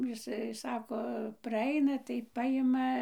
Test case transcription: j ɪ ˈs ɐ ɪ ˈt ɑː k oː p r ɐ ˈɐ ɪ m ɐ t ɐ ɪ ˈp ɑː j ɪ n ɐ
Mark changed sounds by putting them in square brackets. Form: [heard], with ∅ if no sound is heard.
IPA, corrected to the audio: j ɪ ˈs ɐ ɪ [ˈs] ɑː k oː p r ɐ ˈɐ ɪ [n] ɐ t ɐ ɪ ˈp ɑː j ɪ [m] ɐ